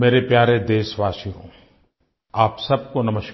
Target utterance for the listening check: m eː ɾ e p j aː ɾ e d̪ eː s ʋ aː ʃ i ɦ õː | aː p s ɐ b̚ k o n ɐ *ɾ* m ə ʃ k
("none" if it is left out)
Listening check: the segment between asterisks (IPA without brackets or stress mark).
none